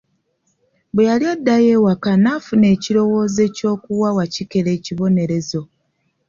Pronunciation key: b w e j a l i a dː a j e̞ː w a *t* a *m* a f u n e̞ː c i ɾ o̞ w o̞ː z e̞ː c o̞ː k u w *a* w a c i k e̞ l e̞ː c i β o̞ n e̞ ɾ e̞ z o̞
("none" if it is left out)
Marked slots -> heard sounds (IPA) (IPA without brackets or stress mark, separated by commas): k, n, a